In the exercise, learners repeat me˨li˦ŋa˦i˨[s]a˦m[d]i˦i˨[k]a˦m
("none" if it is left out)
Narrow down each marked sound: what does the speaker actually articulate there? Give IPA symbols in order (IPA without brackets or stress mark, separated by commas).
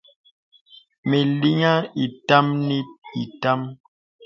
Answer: t, n, t